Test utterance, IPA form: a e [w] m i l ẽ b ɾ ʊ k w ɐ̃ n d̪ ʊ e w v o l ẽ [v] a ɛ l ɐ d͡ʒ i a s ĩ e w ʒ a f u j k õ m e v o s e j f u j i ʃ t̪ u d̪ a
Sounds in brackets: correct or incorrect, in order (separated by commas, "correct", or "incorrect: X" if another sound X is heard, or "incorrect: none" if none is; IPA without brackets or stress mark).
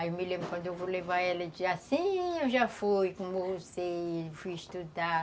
correct, correct